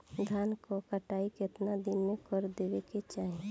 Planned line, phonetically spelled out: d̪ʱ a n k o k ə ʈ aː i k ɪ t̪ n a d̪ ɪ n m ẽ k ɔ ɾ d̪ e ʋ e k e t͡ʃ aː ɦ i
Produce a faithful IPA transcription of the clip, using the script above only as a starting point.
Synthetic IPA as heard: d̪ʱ a n k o k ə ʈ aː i k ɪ t̪ n a d̪ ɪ n m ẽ k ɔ ɾ d̪ e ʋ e k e t͡ʃ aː ɦ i